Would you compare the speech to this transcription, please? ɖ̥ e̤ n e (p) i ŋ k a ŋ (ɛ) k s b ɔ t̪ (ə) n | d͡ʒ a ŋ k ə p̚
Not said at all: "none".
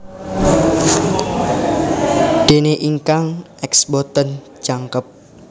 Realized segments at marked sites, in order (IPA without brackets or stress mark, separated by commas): ʔ, ɛ, ə